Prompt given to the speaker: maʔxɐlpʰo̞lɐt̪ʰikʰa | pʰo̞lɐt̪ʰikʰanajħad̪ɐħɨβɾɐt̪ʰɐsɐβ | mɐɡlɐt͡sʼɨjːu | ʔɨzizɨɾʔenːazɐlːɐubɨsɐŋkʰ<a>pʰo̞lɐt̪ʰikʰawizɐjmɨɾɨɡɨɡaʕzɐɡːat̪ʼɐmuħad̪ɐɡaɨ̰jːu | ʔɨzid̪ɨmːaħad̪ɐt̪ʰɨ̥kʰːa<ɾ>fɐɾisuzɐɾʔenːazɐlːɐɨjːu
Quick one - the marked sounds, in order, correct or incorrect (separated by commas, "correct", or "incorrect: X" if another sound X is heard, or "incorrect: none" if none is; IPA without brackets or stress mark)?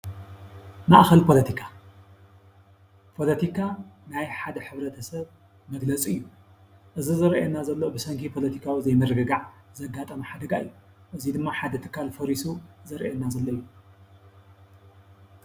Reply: incorrect: i, incorrect: l